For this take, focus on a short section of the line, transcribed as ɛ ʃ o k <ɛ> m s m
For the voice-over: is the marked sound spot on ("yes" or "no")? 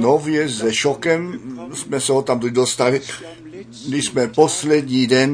yes